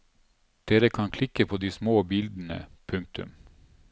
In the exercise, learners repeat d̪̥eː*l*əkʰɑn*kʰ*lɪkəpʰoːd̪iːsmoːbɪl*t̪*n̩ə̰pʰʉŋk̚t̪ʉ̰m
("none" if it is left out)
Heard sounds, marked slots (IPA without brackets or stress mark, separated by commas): ɾ, kʰ, d̪